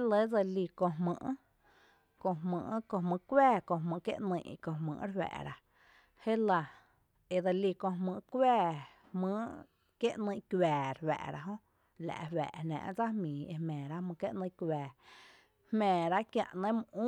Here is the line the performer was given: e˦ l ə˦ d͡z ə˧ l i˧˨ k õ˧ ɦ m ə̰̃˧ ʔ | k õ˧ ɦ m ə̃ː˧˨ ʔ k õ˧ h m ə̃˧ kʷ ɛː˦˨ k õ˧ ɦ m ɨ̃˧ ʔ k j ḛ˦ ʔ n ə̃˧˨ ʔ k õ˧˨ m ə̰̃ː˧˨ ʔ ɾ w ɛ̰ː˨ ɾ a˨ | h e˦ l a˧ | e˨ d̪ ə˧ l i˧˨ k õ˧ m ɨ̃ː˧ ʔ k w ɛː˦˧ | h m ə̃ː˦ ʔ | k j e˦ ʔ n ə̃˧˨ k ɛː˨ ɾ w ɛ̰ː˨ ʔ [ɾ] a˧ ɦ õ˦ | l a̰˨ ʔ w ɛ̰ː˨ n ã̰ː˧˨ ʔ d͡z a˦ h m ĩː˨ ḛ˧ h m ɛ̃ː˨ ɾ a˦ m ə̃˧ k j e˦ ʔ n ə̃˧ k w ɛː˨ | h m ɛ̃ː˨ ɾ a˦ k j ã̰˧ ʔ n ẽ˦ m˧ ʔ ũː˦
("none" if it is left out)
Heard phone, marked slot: ɾ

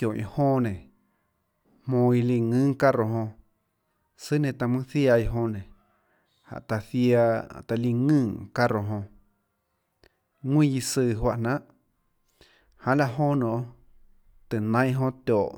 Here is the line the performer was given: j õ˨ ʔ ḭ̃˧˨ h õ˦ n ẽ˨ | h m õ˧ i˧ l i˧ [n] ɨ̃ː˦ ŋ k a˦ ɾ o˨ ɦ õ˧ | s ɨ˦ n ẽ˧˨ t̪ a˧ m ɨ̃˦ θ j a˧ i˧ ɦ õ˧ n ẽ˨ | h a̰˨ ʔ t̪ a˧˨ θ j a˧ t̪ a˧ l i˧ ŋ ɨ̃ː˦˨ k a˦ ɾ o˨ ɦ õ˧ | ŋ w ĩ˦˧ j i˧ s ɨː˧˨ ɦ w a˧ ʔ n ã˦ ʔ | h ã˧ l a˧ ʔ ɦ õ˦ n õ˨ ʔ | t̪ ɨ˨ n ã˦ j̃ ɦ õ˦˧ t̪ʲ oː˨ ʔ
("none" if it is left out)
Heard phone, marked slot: ŋ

